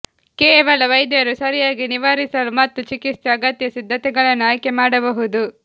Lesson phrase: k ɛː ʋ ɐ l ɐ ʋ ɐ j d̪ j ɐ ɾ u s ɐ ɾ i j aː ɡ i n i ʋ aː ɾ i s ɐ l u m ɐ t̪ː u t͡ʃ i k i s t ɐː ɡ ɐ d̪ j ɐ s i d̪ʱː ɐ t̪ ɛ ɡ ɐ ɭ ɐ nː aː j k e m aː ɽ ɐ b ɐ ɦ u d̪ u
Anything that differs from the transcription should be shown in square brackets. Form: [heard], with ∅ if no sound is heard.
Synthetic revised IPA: k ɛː ʋ ɐ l ɐ ʋ ɐ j d̪ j ɐ ɾ u s ɐ ɾ i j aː ɡ i n i ʋ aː ɾ i s ɐ l u m ɐ t̪ː u t͡ʃ i k i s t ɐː ɡ ɐ [t̪] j ɐ s i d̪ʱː ɐ t̪ ɛ ɡ ɐ ɭ ɐ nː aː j k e m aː ɽ ɐ b ɐ ɦ u d̪ u